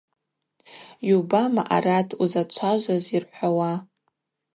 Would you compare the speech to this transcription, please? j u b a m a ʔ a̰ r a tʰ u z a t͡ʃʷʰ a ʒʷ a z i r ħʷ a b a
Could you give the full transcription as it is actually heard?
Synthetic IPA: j u b a m a ʔ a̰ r a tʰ u z a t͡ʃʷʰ a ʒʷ a z i r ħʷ a w a

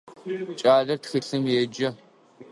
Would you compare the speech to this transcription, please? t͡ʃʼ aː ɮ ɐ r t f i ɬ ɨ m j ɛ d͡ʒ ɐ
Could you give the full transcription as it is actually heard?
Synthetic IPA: t͡ʃʼ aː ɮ ɐ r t x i ɬ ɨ m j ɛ d͡ʒ ɐ

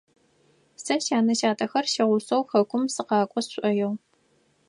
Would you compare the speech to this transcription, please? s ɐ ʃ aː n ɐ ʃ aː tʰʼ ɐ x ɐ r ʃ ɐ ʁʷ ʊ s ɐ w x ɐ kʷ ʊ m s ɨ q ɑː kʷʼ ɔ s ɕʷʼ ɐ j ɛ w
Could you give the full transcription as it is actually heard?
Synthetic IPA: s ɐ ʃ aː n ɐ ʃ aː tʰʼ ɐ x ɐ r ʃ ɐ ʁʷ ʊ s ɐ w x ɐ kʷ ʊ m s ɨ q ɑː kʷʼ ɔ s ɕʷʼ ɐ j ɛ w

